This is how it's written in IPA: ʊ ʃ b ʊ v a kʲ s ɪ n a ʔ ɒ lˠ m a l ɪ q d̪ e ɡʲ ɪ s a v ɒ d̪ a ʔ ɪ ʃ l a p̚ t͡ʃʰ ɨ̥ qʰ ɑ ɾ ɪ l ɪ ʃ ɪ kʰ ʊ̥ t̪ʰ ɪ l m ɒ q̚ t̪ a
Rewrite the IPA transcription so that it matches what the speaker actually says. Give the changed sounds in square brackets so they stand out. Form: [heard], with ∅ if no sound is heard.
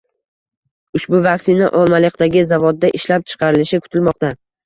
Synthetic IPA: ʊ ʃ b ʊ v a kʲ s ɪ n a ʔ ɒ lˠ m a l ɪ q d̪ [a] ɡʲ ɪ [z] a v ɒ [d̪ː] a ʔ ɪ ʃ l a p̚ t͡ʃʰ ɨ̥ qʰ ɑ ɾ ɪ l ɪ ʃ ɪ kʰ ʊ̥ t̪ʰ ɪ l m ɒ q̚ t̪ a